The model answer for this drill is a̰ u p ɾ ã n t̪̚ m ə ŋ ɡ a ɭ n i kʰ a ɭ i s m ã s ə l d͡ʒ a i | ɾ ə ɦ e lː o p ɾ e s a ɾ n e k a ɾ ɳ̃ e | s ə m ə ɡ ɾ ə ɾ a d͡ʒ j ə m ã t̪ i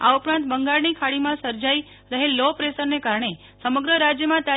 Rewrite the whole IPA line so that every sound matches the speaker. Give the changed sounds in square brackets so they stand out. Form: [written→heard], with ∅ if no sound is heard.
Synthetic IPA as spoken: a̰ u p ɾ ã n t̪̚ [m→b] ə ŋ ɡ a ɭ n i kʰ a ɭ i [s→∅] m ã s ə [l→ɾ] d͡ʒ a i | ɾ ə ɦ e lː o p ɾ e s [a→ə] ɾ n e k a ɾ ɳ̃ e | s ə m ə ɡ ɾ ə ɾ a d͡ʒ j ə m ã t̪ [i→a]